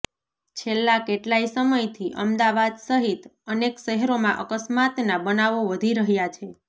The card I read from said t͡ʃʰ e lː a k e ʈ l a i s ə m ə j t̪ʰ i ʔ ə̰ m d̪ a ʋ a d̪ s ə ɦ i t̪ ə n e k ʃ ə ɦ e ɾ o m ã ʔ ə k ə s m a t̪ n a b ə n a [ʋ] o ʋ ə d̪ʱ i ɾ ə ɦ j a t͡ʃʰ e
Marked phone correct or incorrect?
correct